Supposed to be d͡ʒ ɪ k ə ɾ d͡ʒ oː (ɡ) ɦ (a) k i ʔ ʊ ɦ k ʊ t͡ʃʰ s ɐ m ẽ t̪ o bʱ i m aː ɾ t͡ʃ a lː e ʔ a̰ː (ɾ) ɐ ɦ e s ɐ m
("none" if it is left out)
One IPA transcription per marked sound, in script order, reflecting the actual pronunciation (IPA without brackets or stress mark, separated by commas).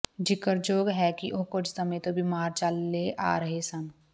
ɡ, ɛ, ɾ